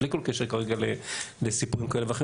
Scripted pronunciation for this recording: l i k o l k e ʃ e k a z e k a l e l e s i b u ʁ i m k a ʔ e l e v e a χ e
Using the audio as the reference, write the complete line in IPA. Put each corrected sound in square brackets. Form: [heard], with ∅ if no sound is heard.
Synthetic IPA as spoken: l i k o l k e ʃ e k a [ʁ] e [ɡ] a l e l e s i [p] u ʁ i m k a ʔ e l e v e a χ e